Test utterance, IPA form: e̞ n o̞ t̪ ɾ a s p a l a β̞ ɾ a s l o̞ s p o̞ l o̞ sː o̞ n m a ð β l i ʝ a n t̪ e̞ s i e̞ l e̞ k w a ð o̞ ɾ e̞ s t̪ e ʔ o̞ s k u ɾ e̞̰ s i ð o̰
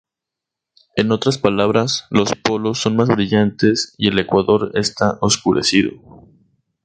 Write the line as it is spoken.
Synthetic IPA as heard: e̞ n o̞ t̪ ɾ a s p a l a β̞ ɾ a s l o̞ s p o̞ l o̞ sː o̞ n m a z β ɾ i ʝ a n t̪ e̞ s i e̞ l e̞ k w a ð o̞ ɾ e̞ s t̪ a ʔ o̞ s k u ɾ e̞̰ s i ð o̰